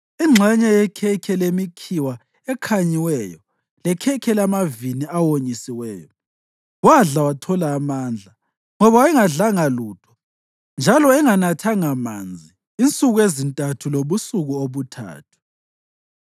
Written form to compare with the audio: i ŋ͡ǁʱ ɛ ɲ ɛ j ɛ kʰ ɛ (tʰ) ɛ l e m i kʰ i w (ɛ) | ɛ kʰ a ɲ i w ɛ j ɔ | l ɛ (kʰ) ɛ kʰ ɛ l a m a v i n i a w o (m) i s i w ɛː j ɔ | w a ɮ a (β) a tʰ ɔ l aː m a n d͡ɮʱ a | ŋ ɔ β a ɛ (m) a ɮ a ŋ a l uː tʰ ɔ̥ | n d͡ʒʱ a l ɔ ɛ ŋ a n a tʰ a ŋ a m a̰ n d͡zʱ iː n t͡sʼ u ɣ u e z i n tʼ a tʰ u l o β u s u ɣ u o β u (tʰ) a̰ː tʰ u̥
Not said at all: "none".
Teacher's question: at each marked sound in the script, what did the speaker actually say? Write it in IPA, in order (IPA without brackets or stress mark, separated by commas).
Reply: kʰ, a, kʰ, ɲ, w, ŋ, tʰ